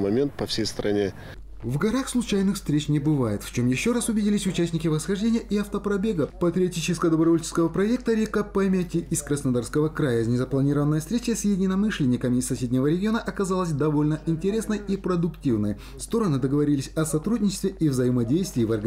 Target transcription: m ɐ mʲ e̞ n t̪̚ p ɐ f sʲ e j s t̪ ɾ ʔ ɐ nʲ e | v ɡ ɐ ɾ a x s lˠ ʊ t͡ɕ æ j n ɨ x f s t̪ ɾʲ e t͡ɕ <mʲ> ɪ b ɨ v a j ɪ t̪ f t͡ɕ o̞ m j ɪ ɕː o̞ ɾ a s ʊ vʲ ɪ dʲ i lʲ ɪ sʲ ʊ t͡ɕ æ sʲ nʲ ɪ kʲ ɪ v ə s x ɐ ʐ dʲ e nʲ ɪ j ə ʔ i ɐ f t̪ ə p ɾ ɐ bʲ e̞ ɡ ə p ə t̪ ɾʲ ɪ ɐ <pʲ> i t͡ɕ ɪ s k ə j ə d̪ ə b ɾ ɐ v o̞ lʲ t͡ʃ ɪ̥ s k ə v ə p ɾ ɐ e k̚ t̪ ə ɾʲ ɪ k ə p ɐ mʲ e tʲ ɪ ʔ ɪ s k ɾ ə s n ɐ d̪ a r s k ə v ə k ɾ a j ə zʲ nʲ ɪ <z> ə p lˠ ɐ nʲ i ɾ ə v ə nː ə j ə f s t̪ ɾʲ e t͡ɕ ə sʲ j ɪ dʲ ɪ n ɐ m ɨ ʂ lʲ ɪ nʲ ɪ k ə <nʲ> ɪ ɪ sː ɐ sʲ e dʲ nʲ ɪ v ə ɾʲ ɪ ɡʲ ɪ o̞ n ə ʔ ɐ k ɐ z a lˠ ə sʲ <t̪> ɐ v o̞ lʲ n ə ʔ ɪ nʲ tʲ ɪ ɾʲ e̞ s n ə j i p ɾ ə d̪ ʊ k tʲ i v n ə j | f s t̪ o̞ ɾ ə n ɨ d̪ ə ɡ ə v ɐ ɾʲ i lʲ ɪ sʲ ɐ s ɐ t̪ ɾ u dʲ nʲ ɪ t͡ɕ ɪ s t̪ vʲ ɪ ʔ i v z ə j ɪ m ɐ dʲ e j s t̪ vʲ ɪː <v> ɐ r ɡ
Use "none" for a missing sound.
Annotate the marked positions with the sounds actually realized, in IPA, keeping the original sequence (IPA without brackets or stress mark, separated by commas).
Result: nʲ, tʲ, z, mʲ, d̪, v